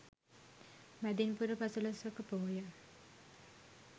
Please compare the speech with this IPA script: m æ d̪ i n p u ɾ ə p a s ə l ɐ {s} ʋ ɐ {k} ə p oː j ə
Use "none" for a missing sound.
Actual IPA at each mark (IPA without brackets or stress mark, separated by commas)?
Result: s, k